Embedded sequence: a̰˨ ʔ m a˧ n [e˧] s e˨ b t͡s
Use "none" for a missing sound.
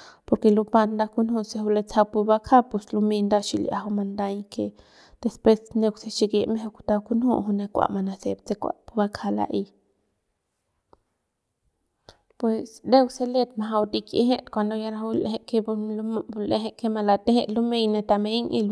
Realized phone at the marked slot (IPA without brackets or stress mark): a˧